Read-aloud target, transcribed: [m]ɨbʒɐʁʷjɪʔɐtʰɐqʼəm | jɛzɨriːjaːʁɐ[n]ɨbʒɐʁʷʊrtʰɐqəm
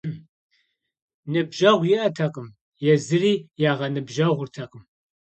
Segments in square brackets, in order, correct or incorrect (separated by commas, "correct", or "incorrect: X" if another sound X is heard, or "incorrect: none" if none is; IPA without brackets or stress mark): incorrect: n, correct